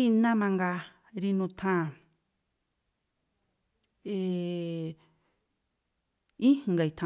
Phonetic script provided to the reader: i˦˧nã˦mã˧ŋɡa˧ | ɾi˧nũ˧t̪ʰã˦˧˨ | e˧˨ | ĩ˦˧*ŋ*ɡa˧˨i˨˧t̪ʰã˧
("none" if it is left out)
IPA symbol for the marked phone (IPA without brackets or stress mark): ŋ